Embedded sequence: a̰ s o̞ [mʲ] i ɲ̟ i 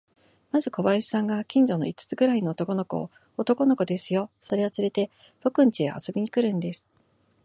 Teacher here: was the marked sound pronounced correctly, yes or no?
no